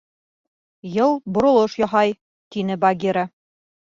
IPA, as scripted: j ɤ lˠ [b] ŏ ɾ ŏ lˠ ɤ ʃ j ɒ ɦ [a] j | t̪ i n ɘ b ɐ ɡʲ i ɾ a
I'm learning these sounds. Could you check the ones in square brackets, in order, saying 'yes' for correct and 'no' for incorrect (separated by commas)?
yes, no